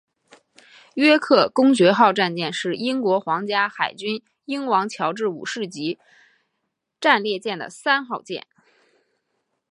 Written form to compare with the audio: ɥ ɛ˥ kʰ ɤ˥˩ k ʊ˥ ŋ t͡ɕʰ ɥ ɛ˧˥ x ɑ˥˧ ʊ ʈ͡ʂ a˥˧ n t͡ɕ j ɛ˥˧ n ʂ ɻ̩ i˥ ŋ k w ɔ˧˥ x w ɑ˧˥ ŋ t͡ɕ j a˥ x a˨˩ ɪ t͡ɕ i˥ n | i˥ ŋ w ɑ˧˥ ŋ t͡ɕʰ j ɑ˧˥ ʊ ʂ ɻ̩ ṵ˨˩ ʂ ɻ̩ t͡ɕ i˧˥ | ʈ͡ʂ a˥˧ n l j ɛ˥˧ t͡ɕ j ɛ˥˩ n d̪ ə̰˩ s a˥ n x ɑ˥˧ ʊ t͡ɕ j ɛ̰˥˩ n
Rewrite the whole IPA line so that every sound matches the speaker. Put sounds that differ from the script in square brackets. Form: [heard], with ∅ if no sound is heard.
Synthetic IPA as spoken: ɥ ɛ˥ kʰ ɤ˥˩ k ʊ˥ ŋ [t͡ɕ] ɥ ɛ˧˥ x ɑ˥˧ ʊ ʈ͡ʂ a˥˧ n t͡ɕ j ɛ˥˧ n ʂ ɻ̩ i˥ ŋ k w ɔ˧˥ x w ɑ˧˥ ŋ t͡ɕ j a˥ x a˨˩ ɪ t͡ɕ [y˥] n | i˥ ŋ w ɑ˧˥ ŋ t͡ɕʰ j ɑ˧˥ ʊ [ʈ͡ʂ] ɻ̩ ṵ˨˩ ʂ ɻ̩ t͡ɕ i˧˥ | ʈ͡ʂ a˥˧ n l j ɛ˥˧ t͡ɕ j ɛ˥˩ n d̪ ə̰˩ s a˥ n x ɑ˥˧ ʊ t͡ɕ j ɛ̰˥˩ n